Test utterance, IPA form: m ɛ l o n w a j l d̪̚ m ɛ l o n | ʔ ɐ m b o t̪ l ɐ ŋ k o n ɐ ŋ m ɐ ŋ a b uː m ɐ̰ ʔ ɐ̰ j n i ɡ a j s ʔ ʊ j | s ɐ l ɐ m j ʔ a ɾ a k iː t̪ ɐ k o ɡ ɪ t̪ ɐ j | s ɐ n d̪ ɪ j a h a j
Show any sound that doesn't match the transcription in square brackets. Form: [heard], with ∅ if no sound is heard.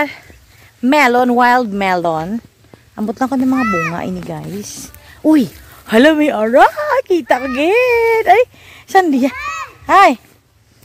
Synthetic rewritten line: m ɛ l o n w a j l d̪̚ m ɛ l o n | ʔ ɐ m b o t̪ l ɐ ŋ k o n ɐ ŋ m ɐ ŋ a b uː [ŋ] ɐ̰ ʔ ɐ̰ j n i ɡ a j s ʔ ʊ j | [h] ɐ l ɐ m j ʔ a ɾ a k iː t̪ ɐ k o ɡ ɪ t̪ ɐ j | s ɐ n d̪ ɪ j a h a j